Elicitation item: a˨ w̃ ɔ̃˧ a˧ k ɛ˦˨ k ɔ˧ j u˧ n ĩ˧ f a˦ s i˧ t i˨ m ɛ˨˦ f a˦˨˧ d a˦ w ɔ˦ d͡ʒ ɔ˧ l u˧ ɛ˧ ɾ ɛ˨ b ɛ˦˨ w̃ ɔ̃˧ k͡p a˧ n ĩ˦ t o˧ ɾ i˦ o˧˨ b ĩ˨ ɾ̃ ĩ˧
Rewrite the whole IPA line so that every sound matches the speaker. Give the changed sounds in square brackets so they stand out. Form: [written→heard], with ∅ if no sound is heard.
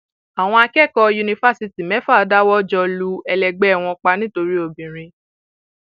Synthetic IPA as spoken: a˨ w̃ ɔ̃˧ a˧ k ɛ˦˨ k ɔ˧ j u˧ n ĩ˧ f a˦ s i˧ t i˨ m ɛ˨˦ f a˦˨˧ d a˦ w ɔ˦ d͡ʒ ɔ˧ l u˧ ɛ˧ [ɾ→l] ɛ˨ [b→ɡ͡b] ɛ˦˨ w̃ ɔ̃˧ k͡p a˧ n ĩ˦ t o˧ ɾ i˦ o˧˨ b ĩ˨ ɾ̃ ĩ˧